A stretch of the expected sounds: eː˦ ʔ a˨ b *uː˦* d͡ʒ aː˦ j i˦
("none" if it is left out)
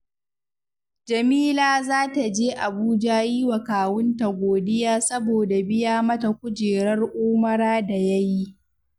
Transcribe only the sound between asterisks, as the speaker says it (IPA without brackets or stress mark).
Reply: uː˦